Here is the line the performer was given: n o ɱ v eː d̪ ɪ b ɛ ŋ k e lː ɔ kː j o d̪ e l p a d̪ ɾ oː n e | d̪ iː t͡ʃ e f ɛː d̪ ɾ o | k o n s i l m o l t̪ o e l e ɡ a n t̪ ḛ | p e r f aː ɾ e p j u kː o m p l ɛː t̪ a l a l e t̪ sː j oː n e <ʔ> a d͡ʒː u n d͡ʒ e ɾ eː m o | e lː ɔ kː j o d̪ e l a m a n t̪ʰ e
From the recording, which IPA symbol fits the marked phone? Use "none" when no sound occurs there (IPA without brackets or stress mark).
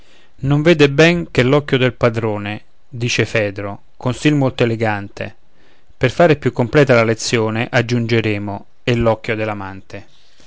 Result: ʔ